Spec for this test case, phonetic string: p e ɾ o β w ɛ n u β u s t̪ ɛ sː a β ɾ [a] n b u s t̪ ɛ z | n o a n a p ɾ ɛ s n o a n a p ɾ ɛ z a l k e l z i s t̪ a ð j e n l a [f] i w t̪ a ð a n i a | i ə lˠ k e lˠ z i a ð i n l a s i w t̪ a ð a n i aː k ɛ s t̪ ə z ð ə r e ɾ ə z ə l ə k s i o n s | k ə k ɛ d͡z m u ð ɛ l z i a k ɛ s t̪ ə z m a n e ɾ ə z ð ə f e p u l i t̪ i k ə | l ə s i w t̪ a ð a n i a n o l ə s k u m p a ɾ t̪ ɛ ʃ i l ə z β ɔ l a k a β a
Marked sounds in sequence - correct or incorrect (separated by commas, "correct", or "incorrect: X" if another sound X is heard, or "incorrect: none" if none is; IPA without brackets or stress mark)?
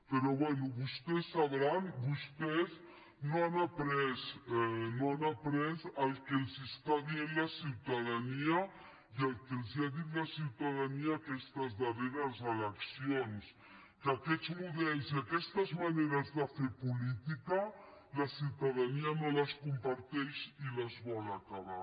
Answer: correct, incorrect: s